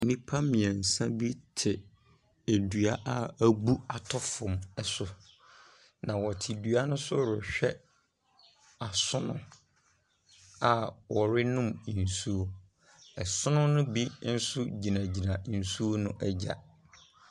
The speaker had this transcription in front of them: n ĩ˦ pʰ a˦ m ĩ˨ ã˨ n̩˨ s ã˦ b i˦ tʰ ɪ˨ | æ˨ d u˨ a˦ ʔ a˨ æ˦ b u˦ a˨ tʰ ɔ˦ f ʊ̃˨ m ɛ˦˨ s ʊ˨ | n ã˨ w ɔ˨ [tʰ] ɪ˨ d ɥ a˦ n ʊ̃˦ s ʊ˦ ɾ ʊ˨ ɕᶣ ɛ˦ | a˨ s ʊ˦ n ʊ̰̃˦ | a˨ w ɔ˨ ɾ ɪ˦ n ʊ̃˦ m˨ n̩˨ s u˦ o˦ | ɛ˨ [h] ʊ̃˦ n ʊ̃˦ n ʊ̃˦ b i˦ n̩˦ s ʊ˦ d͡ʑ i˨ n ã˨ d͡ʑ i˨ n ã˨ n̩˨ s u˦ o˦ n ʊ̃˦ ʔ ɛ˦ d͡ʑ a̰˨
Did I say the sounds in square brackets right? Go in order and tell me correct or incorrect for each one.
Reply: correct, incorrect: s

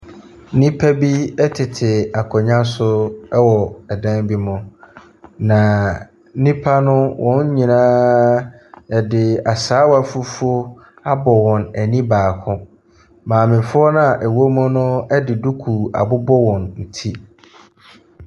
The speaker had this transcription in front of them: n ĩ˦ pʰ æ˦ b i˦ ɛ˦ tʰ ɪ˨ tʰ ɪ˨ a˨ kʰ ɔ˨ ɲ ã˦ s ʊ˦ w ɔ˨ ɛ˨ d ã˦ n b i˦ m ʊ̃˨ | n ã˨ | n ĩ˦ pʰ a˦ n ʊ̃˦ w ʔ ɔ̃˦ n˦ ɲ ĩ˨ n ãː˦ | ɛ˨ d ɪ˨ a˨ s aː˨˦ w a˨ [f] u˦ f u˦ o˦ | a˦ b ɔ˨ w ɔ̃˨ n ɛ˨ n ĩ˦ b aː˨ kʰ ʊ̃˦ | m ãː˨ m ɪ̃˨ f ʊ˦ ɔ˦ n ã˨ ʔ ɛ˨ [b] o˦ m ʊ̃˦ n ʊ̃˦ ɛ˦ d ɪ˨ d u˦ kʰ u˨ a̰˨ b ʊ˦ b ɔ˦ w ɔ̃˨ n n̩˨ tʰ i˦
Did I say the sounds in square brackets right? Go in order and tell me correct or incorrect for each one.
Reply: correct, incorrect: w

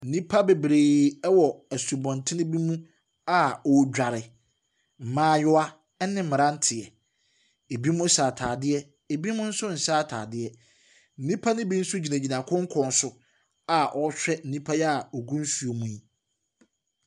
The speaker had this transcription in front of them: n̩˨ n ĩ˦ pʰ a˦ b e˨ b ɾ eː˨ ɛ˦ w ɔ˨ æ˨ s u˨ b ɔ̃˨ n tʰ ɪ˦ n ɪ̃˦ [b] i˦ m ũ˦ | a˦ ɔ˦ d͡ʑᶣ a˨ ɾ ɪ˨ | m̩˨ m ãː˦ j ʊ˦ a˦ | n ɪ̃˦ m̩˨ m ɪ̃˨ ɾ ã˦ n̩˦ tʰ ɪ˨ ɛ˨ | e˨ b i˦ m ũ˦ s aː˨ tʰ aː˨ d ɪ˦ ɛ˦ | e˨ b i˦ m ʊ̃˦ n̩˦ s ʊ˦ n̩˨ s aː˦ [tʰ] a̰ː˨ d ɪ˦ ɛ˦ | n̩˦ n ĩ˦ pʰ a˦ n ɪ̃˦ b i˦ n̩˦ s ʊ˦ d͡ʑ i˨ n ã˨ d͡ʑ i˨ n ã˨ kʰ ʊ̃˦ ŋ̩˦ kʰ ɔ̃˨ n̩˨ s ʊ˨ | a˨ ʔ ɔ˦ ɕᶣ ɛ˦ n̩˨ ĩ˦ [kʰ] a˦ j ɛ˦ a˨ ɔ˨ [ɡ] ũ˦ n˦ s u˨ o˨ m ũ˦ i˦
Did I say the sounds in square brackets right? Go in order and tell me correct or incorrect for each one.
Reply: correct, correct, incorrect: pʰ, correct

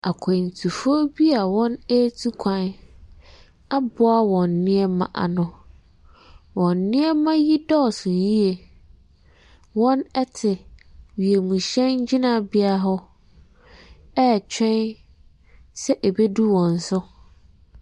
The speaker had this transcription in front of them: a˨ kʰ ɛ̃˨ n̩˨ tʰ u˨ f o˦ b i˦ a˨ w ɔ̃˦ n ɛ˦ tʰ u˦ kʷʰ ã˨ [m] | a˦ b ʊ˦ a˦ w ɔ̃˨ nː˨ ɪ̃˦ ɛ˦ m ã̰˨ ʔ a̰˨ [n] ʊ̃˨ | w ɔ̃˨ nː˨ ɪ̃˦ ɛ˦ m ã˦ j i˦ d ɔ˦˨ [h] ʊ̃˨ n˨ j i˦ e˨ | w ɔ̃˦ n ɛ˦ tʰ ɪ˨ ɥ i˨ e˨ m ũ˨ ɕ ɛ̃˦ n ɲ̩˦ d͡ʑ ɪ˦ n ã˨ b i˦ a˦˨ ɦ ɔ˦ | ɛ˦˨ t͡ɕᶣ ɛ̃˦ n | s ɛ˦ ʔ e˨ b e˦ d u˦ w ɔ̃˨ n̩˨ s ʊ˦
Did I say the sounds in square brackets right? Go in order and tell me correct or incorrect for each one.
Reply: incorrect: n, correct, incorrect: s

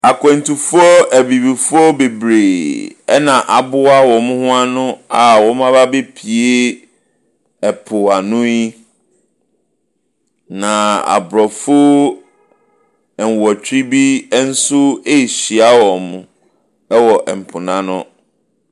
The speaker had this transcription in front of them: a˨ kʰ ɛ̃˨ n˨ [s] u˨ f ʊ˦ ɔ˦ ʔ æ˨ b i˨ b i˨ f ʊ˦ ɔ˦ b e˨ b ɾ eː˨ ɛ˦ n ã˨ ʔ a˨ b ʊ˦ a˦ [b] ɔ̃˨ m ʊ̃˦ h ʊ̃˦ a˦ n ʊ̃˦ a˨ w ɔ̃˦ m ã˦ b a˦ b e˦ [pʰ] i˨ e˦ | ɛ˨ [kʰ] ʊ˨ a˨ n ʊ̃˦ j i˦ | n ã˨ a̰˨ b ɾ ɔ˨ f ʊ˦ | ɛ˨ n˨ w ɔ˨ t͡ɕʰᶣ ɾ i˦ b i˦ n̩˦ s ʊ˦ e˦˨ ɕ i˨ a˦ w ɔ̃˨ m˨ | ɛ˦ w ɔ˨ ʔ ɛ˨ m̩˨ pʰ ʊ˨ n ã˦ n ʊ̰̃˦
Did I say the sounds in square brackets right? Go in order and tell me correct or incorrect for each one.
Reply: incorrect: t, incorrect: w, correct, incorrect: pʰ

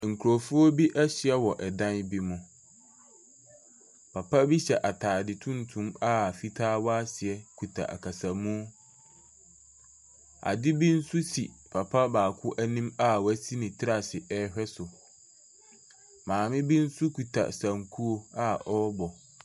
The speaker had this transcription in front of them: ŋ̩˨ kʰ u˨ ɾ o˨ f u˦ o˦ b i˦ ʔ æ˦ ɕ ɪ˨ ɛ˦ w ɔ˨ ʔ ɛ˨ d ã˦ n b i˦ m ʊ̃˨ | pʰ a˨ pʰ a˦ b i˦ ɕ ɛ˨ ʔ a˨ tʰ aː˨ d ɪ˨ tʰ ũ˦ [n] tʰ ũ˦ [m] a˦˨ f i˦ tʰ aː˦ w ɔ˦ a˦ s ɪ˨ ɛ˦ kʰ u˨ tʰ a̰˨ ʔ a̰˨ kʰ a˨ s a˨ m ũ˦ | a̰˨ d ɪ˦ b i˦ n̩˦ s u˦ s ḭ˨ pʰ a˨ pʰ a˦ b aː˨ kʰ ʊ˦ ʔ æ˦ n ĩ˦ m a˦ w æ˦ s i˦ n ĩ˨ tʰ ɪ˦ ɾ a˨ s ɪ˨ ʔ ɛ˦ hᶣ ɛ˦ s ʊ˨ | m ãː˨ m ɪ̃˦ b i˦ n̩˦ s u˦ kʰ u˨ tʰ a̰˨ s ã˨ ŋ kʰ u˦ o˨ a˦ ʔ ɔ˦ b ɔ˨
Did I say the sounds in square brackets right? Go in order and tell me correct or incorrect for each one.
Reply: correct, correct

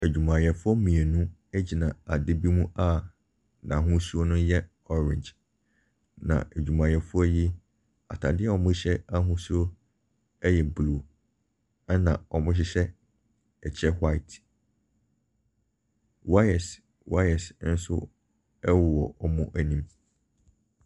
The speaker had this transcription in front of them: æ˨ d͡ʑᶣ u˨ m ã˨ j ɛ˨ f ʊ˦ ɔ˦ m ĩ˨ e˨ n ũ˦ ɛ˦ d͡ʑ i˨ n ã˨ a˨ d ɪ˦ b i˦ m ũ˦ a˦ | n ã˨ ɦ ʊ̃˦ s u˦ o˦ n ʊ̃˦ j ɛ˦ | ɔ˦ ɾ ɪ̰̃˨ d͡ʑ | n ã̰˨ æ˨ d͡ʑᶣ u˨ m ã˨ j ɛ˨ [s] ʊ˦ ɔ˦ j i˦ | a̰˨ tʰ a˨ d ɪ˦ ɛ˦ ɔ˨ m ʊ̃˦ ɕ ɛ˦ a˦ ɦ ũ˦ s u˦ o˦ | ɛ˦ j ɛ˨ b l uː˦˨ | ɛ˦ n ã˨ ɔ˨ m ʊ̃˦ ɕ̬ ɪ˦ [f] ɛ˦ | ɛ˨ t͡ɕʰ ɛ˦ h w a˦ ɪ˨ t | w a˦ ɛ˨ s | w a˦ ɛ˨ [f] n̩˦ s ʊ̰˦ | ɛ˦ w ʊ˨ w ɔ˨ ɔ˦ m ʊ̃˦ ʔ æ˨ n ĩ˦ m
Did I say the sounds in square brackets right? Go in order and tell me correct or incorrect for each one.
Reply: incorrect: f, incorrect: ɕ, incorrect: s

